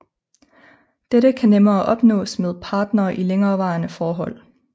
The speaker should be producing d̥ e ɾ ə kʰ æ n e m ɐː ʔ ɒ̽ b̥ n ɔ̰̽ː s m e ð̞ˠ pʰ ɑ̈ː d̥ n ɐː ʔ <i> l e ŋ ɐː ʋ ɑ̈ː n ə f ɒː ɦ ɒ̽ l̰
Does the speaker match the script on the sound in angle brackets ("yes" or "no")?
yes